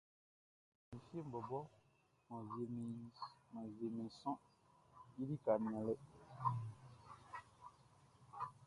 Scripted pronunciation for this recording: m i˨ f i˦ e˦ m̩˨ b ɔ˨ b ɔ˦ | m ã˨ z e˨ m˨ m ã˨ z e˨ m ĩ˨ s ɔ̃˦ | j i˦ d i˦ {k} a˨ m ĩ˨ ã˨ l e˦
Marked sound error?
no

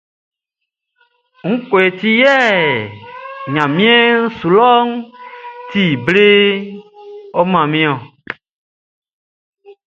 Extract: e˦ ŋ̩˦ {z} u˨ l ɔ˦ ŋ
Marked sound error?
yes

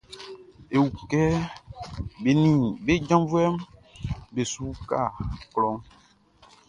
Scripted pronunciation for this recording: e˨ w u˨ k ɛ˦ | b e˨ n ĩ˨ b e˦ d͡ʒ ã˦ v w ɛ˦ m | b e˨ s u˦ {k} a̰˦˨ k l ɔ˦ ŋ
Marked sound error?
no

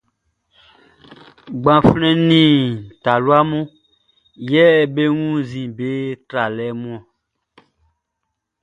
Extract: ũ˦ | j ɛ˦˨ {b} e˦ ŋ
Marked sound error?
no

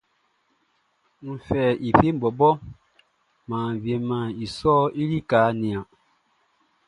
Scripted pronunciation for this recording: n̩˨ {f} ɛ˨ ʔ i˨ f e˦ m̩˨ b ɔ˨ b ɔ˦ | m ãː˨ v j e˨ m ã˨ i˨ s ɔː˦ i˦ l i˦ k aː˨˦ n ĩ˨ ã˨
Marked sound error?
no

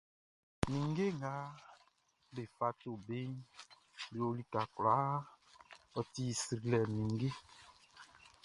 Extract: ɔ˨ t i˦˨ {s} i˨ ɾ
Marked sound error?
no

